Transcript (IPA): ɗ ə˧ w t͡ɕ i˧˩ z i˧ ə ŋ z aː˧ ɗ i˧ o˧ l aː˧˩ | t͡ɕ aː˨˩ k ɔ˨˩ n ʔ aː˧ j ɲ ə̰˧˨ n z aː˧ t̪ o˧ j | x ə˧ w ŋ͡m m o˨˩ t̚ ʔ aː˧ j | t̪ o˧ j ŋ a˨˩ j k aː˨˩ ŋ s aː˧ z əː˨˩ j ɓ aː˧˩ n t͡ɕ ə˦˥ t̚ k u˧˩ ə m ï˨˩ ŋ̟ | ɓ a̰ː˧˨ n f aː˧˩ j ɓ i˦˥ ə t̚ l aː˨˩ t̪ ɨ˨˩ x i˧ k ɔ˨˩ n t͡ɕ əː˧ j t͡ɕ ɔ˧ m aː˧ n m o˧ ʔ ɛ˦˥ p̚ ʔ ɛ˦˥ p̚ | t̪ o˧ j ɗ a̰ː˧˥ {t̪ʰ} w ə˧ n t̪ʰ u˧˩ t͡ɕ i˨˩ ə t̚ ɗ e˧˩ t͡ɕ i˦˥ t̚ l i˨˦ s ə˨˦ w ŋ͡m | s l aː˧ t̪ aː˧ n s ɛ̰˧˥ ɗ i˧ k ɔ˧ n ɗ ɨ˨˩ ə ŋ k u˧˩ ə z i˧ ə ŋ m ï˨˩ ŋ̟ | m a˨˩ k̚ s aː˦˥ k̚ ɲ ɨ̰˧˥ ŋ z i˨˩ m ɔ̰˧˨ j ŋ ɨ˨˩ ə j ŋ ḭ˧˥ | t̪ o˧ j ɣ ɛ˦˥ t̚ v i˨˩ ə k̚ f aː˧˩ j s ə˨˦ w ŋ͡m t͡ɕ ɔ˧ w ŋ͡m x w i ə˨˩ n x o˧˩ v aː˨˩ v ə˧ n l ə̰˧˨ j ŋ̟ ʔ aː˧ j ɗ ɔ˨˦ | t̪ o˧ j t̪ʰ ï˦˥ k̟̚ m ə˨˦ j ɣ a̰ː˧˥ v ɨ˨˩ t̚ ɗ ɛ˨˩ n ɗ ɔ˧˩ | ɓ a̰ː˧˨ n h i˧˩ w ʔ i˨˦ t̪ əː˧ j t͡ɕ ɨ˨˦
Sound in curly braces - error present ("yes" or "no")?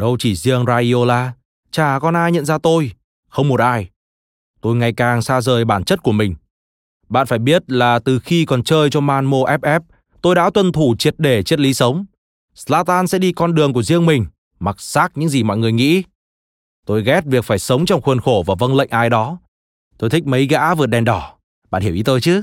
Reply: yes